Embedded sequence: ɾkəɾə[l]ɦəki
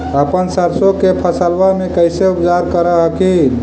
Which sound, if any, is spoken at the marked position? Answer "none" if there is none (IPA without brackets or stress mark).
none